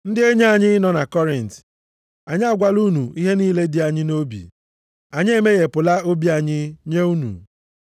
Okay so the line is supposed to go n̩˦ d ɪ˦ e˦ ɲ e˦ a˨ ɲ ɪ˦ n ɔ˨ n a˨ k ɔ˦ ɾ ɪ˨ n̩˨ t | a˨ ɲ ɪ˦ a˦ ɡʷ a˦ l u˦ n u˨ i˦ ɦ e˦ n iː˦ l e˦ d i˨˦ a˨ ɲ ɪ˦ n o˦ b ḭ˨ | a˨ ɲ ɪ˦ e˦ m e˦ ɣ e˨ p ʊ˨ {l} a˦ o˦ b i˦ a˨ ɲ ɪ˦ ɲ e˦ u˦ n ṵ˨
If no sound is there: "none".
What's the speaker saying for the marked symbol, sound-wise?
l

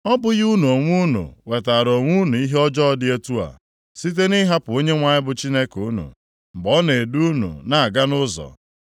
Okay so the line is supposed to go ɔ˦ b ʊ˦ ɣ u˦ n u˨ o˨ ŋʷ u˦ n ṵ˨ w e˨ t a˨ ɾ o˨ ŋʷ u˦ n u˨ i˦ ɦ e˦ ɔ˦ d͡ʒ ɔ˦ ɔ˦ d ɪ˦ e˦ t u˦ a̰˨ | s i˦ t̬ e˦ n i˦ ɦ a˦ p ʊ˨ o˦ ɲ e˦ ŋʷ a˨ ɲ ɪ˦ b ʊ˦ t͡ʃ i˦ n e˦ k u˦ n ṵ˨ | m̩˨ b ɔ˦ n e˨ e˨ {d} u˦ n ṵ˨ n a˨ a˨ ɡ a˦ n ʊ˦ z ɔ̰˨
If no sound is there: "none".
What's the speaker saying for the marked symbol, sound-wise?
d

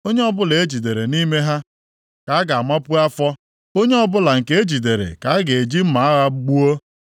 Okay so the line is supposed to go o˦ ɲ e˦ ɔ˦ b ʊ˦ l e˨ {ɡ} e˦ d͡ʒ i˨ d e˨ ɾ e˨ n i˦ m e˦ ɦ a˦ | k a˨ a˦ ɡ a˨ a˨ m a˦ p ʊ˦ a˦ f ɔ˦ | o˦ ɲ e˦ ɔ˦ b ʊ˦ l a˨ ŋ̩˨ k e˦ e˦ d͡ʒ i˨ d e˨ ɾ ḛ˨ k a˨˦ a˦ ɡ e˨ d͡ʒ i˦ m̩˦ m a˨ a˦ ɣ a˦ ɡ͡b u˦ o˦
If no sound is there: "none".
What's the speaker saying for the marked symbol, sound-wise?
none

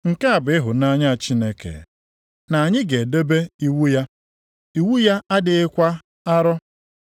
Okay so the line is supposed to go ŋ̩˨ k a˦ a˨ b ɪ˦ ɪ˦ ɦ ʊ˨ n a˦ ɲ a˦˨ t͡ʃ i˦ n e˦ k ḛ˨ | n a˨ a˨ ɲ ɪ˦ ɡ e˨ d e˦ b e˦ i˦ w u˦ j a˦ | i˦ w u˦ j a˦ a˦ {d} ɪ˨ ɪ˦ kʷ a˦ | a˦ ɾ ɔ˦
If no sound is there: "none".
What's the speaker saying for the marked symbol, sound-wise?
d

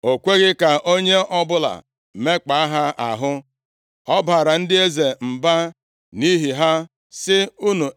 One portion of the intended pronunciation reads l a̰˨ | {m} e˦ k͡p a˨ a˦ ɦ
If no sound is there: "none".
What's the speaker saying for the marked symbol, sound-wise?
m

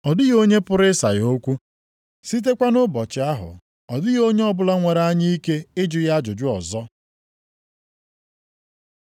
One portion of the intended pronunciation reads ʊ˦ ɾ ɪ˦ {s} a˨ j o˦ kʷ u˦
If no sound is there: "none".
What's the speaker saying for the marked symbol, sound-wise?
s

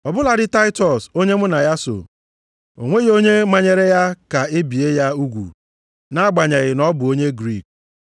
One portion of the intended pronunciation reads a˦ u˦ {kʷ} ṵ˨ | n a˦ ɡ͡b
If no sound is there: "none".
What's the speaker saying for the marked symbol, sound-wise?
ɡʷ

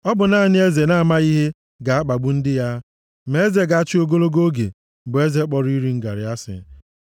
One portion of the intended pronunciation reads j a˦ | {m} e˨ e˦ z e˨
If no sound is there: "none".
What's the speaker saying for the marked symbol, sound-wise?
m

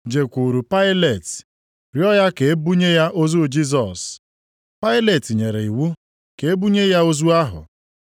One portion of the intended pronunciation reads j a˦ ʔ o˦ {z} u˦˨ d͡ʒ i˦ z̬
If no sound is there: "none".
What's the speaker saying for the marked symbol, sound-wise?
z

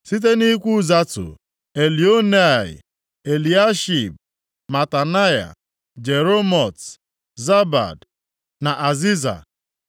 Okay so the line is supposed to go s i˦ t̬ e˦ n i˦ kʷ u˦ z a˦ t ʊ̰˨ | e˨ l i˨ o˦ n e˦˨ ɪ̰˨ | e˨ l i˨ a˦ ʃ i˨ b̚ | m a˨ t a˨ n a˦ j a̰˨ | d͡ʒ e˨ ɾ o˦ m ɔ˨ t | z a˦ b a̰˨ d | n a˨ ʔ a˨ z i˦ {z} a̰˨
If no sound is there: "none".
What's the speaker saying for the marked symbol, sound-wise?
z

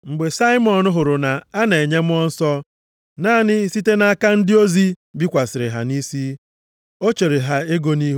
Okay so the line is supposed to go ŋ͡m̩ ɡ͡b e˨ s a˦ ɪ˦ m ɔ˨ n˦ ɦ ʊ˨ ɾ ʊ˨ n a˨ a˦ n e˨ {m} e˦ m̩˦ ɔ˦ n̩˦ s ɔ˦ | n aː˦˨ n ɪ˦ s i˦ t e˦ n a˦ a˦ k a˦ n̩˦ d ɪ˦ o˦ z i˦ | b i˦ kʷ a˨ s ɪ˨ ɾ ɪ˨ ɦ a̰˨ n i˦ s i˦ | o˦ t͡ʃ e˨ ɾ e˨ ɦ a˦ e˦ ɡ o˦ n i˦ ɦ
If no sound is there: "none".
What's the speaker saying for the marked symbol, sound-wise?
ɲ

